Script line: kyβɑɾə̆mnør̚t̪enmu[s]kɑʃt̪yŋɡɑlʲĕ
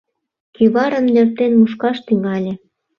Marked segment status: incorrect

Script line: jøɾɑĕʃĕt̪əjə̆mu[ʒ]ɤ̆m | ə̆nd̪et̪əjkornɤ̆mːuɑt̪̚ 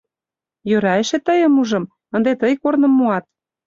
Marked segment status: correct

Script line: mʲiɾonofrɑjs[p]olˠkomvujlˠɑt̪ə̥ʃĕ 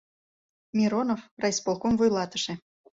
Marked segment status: correct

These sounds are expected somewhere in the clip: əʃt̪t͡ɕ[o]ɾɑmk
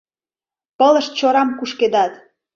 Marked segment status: correct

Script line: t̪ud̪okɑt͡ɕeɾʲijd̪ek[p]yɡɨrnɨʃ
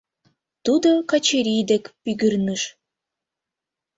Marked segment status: correct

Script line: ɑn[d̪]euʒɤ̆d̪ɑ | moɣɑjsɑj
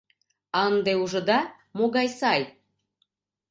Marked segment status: correct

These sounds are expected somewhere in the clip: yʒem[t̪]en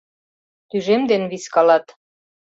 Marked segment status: incorrect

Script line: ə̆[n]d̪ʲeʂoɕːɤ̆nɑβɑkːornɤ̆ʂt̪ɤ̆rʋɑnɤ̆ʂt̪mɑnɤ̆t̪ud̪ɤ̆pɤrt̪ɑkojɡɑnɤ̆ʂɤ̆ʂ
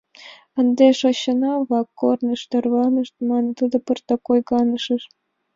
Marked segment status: correct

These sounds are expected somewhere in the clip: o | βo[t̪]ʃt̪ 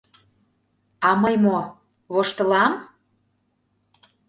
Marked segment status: incorrect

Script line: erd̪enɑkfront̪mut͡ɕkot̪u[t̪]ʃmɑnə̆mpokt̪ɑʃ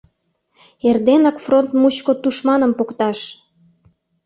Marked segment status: incorrect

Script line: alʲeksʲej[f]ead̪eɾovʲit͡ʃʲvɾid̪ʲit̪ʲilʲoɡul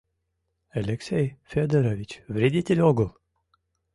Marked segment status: correct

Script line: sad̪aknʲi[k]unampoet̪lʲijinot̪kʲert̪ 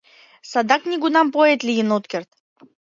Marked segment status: incorrect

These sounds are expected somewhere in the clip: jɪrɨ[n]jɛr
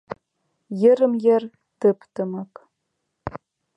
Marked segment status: incorrect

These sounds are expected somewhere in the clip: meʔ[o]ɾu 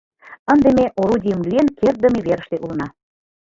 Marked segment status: correct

